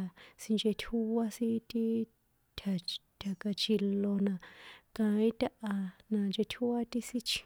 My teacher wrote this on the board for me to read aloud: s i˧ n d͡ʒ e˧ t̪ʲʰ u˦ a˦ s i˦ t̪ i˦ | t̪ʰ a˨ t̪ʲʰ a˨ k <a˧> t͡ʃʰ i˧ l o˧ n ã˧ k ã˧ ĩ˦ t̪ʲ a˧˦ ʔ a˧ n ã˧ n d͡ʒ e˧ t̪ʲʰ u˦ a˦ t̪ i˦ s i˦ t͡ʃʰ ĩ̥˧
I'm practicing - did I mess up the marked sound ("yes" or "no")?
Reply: no